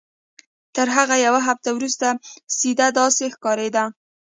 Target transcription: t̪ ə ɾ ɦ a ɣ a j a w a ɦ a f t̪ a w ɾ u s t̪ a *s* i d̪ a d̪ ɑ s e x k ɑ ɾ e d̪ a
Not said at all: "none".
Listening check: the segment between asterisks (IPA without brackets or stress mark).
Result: s